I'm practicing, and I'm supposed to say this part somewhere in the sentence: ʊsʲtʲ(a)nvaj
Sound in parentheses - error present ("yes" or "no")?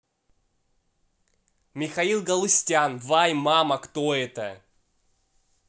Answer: no